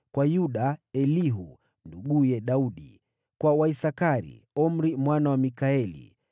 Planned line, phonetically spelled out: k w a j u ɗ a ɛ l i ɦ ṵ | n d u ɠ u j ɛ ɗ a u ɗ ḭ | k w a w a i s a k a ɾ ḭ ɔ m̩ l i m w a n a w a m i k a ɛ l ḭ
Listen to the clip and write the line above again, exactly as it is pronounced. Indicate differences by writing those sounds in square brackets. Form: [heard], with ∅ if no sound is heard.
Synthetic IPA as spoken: k w a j u ɗ a ɛ l i ɦ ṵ | n d u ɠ u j ɛ ɗ a u ɗ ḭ | k w a w a i s a k a ɾ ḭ ɔ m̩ [ɾ] i m w a n a w a m i k a ɛ l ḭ